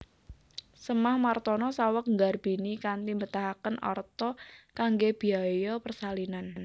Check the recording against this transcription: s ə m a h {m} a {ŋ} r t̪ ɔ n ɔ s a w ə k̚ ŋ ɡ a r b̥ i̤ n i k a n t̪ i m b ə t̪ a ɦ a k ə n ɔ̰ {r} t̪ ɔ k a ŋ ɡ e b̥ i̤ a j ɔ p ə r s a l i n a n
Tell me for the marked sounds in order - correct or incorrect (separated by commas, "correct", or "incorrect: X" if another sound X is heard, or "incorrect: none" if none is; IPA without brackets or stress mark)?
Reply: correct, incorrect: none, correct